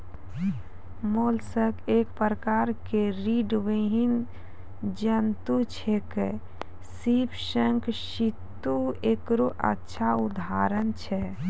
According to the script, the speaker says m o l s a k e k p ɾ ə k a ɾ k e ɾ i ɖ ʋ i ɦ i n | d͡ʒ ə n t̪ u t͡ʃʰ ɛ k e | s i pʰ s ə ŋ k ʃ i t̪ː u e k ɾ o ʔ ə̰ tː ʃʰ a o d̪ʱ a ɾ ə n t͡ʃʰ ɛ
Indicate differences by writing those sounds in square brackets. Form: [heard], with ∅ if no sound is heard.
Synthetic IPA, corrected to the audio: m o l s [ə] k e k p ɾ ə k a ɾ k e ɾ i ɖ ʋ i ɦ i n | d͡ʒ ə n t̪ u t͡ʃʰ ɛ k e | s i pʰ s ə ŋ k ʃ i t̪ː u e k ɾ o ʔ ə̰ tː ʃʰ a [u] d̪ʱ a ɾ ə n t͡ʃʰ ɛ